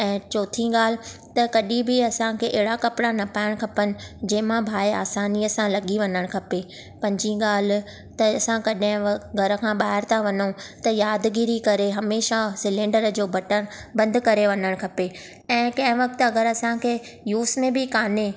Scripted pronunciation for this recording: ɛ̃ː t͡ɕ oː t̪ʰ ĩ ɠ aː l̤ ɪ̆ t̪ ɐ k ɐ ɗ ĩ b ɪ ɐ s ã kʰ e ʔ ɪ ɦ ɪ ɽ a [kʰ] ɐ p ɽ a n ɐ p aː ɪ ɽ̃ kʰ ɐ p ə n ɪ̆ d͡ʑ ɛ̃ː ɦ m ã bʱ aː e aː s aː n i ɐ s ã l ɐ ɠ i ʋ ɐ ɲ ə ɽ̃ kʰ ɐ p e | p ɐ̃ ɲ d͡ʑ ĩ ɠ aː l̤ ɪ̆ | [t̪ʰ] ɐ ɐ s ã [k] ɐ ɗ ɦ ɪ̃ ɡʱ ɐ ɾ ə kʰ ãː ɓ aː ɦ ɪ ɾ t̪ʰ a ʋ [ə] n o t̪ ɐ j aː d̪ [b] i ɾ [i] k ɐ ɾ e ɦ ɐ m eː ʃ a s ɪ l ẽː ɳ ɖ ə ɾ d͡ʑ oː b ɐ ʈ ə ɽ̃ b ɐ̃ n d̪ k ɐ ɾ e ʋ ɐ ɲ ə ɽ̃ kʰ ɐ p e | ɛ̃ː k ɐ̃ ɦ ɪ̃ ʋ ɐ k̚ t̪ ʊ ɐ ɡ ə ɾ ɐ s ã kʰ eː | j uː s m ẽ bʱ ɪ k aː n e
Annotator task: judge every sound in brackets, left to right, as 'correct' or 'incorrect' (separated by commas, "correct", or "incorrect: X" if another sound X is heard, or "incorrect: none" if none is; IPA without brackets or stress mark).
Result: incorrect: k, incorrect: t̪, correct, incorrect: ɐ, incorrect: ɡ, correct